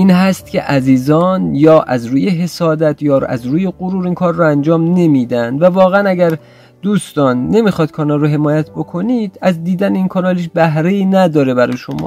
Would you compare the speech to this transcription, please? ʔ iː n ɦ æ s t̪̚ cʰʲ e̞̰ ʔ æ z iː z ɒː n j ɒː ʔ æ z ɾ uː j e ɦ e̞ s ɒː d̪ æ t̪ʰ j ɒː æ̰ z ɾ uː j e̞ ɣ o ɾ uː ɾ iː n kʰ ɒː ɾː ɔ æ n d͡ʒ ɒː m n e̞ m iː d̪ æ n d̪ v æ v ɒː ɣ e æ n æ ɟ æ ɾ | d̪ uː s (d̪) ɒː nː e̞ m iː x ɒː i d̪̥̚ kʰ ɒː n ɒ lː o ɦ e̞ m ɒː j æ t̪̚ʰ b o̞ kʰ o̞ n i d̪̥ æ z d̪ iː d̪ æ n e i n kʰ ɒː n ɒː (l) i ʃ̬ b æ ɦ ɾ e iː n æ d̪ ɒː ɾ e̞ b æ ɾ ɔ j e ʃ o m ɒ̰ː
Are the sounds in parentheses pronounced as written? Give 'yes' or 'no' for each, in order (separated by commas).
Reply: no, yes